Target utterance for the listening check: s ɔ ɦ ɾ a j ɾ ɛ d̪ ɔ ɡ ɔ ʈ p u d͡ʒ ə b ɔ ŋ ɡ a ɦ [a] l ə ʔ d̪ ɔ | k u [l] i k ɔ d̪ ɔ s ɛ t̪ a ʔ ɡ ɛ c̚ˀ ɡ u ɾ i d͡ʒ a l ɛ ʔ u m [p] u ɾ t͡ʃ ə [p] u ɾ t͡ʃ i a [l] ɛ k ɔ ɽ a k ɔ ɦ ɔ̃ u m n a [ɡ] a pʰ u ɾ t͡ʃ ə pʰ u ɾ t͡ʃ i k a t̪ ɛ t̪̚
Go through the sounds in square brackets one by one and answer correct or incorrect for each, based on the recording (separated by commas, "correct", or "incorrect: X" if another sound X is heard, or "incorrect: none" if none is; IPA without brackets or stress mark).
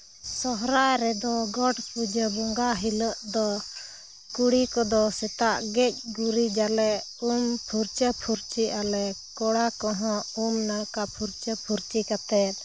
incorrect: i, incorrect: ɽ, incorrect: pʰ, incorrect: pʰ, correct, incorrect: k